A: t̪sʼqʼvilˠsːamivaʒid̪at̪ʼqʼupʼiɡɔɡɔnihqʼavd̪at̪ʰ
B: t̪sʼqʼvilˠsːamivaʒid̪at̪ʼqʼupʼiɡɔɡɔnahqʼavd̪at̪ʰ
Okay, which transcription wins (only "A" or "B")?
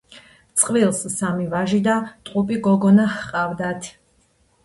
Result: B